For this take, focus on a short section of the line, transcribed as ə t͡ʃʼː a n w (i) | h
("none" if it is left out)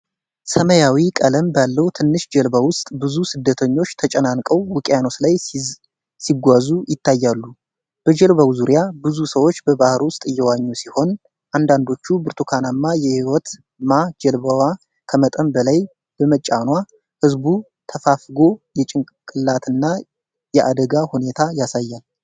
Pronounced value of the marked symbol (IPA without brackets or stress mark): a